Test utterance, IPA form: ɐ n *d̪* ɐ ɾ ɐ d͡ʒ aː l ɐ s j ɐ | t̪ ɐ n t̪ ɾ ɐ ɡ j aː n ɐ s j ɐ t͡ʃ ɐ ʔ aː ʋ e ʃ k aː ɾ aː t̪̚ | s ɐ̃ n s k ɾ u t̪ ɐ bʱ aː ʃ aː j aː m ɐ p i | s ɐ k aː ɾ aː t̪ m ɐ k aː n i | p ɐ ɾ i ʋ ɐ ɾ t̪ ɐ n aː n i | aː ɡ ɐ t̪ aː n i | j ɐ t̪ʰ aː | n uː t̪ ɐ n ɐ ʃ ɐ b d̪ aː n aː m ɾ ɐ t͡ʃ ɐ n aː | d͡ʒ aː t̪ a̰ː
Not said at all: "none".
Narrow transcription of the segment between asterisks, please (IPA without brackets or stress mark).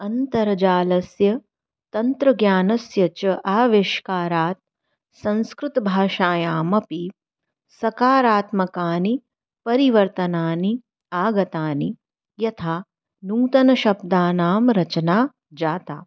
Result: t̪